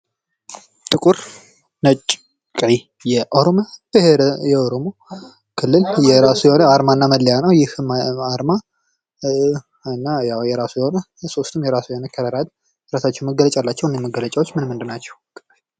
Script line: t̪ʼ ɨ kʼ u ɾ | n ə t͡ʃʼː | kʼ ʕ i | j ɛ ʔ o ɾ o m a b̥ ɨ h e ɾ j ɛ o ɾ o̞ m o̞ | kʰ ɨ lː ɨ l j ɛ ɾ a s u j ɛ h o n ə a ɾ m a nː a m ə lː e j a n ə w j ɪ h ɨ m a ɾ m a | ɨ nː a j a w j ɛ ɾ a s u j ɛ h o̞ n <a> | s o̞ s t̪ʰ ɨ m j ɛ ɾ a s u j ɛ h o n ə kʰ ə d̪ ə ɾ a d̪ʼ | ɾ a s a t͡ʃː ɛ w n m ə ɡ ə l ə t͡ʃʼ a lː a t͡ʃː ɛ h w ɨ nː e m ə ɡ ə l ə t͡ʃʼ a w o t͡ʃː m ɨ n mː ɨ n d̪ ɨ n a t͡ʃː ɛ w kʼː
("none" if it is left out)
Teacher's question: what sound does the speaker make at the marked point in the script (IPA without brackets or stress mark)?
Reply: ə